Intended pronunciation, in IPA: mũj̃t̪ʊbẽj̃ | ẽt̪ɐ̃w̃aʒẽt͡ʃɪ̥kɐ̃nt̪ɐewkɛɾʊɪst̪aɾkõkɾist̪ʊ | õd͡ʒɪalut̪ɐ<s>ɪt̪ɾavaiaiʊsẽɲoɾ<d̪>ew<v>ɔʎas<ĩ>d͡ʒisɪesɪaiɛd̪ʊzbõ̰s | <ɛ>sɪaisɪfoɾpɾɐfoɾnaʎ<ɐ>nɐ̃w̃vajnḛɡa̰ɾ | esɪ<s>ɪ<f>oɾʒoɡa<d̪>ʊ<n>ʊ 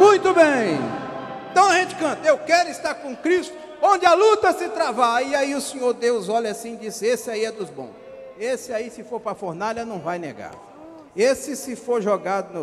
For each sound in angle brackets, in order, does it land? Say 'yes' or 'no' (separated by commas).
yes, yes, no, yes, no, yes, yes, yes, yes, yes